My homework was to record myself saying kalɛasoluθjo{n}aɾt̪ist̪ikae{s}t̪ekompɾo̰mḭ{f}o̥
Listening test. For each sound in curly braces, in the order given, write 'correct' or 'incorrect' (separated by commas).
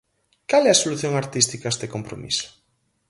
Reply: incorrect, correct, incorrect